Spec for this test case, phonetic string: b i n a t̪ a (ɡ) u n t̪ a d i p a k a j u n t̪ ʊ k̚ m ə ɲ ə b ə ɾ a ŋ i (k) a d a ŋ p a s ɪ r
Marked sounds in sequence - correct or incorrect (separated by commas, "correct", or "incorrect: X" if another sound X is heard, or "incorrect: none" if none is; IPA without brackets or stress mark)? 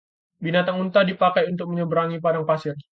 incorrect: ŋ, incorrect: p